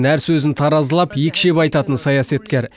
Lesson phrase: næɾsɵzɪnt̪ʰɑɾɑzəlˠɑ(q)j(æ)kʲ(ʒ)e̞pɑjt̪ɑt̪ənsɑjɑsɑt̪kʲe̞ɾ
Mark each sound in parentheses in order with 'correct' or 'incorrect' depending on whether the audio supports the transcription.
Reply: incorrect: p, incorrect: e, incorrect: ʃ

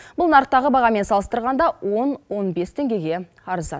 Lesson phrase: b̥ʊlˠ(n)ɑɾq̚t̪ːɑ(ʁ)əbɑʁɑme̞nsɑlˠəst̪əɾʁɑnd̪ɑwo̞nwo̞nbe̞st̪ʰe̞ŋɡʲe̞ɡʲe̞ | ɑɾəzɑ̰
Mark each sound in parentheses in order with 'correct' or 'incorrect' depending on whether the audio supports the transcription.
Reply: correct, correct

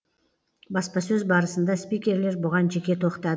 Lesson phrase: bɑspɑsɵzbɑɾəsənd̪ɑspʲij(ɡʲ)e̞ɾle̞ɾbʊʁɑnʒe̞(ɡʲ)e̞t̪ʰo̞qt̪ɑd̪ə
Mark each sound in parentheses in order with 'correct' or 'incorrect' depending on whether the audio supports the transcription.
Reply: incorrect: kʲ, incorrect: kʲ

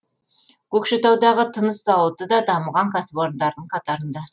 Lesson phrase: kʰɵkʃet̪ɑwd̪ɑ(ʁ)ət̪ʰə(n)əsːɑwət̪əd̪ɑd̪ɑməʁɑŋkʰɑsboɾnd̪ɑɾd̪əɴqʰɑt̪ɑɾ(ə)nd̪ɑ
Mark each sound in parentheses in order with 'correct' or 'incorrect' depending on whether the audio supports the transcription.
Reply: correct, correct, correct

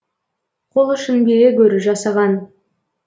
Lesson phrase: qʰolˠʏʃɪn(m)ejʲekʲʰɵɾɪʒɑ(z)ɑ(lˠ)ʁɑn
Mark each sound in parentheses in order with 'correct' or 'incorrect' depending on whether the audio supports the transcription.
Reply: incorrect: b, incorrect: s, incorrect: none

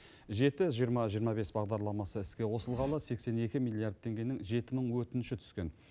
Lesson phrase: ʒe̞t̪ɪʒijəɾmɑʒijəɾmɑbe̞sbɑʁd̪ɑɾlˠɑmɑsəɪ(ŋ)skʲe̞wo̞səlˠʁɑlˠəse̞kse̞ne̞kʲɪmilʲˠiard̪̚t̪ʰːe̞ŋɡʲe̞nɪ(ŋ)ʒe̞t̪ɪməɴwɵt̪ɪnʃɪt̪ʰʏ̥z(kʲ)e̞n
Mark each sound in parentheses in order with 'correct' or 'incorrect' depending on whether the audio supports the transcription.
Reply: incorrect: none, correct, correct

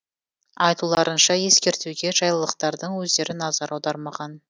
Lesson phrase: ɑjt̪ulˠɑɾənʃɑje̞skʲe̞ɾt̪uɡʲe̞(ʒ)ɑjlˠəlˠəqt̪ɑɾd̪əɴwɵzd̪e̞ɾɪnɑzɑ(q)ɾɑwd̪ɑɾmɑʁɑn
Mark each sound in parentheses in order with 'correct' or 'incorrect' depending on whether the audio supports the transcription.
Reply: correct, incorrect: none

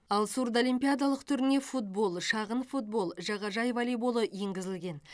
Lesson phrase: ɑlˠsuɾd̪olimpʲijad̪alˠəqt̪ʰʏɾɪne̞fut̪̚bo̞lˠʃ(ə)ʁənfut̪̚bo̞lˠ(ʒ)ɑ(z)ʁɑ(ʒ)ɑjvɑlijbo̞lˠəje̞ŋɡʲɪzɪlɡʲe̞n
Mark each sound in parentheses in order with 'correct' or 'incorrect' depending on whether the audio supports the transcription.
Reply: incorrect: ɑ, correct, incorrect: none, correct

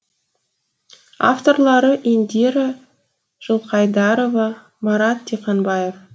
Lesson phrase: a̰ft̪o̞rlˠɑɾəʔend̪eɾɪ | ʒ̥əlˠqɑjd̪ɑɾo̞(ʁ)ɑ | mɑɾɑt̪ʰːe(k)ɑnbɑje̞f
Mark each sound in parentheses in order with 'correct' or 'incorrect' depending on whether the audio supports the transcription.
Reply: incorrect: v, incorrect: q

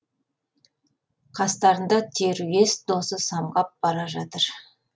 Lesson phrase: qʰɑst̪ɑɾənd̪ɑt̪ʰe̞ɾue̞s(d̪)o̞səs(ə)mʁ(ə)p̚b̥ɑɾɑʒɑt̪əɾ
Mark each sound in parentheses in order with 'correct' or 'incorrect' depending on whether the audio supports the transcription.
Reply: correct, incorrect: ɑ, incorrect: ɑ

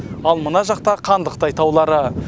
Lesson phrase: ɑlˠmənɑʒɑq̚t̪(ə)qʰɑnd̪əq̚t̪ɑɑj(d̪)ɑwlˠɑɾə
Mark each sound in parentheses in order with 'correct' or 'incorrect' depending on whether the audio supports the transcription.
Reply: incorrect: ɑ, incorrect: t̪

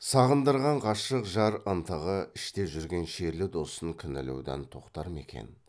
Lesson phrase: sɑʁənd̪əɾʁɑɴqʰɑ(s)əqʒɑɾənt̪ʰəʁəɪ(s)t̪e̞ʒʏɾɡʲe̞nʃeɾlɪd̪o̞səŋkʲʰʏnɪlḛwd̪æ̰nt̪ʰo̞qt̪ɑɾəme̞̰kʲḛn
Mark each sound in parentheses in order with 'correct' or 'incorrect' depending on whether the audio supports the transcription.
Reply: incorrect: ʃ, incorrect: ʃ

